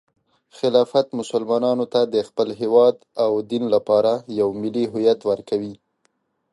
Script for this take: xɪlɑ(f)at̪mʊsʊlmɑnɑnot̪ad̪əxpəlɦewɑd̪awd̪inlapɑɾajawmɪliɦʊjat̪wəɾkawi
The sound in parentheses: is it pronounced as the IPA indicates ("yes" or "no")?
yes